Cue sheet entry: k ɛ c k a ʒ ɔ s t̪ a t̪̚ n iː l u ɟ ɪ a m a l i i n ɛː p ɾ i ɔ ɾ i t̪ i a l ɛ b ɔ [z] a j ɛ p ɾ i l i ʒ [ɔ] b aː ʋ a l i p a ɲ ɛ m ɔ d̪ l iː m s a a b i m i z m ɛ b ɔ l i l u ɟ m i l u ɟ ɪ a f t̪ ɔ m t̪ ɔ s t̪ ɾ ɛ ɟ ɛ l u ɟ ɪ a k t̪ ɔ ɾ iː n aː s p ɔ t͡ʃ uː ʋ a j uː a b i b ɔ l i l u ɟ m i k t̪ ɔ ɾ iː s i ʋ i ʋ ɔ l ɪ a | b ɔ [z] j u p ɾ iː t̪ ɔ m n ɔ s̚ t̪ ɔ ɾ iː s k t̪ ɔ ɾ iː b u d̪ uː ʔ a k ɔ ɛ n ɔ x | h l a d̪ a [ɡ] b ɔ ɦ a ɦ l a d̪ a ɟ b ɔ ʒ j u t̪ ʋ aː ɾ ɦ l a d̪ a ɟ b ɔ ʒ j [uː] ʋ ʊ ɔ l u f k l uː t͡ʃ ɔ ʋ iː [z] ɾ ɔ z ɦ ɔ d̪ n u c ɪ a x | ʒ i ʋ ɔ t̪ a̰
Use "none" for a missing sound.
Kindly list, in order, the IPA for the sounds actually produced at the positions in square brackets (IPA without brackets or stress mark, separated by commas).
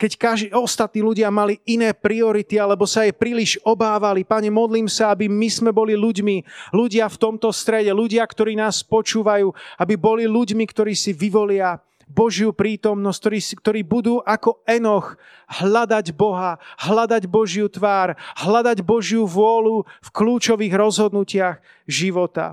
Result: s, ɔ, ʒ, ɟ, u, ɣ